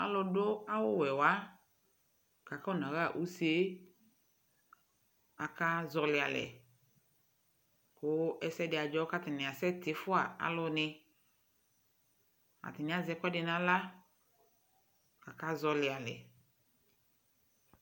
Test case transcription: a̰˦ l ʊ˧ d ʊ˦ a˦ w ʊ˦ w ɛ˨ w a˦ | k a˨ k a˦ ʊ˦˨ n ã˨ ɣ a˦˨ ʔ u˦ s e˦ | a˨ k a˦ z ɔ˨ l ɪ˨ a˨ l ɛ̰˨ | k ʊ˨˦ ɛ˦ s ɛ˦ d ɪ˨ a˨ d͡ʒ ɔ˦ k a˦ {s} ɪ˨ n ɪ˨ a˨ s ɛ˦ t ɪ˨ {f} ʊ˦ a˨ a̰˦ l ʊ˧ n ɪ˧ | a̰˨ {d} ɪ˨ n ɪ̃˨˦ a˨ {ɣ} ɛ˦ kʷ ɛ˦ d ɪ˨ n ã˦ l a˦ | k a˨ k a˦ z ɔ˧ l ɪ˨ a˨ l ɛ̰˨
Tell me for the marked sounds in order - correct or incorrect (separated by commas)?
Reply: incorrect, correct, incorrect, incorrect